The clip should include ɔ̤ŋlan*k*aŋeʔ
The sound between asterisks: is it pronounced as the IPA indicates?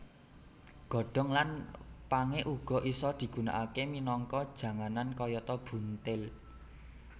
no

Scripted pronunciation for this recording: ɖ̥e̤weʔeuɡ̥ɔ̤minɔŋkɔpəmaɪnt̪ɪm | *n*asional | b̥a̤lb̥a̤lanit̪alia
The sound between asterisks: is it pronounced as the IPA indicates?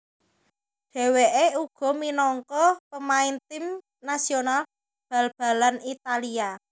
yes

